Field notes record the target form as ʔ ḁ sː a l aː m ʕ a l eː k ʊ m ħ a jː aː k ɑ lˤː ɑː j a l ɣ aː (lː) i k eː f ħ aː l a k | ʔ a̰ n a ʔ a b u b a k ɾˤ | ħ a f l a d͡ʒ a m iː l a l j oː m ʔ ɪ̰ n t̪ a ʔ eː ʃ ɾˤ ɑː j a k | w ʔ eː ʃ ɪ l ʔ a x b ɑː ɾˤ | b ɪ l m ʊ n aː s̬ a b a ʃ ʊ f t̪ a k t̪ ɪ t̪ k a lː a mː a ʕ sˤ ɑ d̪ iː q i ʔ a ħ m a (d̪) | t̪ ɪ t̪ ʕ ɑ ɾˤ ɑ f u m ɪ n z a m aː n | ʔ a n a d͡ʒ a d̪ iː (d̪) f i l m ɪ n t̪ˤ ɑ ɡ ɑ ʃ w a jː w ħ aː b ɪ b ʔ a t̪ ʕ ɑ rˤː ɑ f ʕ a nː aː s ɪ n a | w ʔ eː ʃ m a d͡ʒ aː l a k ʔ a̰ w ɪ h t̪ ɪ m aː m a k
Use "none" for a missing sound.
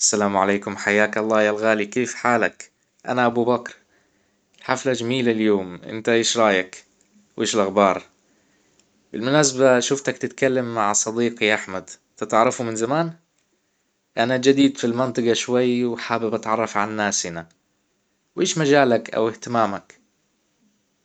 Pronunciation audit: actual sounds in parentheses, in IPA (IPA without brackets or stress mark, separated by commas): l, d̪, d̪